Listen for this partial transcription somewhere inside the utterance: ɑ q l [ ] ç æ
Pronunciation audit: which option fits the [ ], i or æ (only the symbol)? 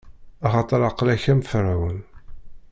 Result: æ